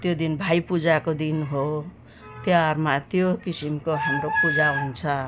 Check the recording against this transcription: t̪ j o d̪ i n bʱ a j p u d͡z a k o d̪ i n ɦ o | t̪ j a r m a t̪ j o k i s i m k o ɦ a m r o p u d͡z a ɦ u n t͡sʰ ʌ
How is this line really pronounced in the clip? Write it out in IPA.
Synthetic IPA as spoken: t̪ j o d̪ i n bʱ a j p u d͡z a k o d̪ i n ɦ o | t̪ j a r m a t̪ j o k i s i m k o ɦ a m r o p u d͡z a ɦ u n t͡sʰ ʌ